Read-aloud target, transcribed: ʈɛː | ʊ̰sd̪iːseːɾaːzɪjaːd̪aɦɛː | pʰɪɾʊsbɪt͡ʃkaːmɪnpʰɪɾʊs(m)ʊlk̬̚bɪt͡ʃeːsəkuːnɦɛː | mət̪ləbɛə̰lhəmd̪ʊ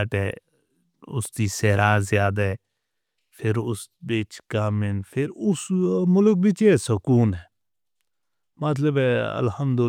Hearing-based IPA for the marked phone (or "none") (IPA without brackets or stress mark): m